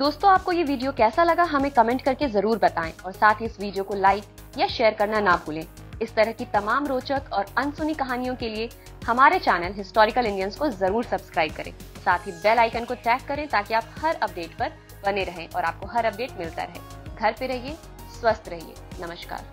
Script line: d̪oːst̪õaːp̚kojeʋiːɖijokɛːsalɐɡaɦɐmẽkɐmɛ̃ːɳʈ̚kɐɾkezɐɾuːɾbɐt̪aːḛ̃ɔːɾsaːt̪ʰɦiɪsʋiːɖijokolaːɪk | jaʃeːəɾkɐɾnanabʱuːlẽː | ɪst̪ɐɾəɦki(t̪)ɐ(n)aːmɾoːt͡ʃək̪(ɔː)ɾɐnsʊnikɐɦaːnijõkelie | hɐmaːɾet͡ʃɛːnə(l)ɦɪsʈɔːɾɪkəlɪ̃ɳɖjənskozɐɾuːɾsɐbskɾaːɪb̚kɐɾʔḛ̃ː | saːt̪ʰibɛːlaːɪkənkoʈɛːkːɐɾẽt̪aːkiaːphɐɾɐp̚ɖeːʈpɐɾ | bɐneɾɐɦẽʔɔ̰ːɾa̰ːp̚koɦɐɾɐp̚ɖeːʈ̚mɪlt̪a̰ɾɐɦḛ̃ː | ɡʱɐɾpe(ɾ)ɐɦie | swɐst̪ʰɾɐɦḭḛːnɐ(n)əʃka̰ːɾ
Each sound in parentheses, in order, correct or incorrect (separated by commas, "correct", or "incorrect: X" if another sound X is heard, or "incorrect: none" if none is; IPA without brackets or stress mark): correct, incorrect: m, correct, correct, correct, incorrect: m